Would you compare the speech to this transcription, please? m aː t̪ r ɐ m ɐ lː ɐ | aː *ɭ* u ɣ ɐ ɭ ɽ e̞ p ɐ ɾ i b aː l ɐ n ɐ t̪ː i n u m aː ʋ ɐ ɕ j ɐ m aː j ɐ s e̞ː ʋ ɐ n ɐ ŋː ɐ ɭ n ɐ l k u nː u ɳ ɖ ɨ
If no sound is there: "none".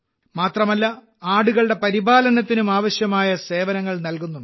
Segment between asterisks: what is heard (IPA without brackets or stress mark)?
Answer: ɽ